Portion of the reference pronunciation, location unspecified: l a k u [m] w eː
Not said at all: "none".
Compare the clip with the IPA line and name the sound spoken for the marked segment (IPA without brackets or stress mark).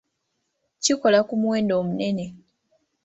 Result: m